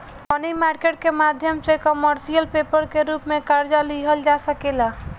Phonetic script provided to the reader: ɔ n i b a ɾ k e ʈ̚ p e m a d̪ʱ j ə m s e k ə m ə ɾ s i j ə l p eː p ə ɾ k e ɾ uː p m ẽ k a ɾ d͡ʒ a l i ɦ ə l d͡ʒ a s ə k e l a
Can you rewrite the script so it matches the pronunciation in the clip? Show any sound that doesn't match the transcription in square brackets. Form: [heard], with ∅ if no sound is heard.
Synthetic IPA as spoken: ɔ n i [m] a ɾ k e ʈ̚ [k] e m a d̪ʱ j ə m s e k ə m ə ɾ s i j ə l p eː p ə ɾ k e ɾ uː p m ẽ k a ɾ d͡ʒ a l i ɦ ə l d͡ʒ a s ə k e l a